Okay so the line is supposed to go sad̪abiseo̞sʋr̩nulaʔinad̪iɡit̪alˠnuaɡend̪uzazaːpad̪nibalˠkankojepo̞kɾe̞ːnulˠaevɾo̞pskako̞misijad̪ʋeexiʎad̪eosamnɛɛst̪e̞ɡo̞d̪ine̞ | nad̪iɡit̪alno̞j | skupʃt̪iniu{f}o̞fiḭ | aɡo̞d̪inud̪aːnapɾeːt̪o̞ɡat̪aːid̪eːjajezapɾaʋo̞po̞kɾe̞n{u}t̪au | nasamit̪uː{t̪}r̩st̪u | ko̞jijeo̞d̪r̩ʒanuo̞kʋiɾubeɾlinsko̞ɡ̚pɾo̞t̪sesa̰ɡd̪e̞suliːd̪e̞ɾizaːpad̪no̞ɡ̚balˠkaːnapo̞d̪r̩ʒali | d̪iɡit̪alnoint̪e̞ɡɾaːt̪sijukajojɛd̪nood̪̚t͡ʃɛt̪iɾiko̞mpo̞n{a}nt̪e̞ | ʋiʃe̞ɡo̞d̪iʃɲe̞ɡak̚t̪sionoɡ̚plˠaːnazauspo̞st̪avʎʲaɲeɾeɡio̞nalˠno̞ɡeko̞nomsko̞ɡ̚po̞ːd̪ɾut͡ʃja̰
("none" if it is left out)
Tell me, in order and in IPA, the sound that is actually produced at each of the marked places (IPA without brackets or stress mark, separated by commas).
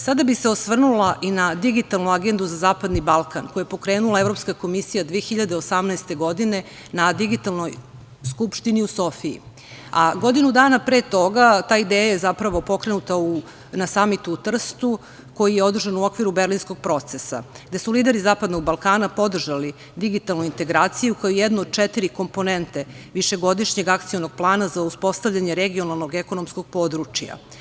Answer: s, u, t̪, e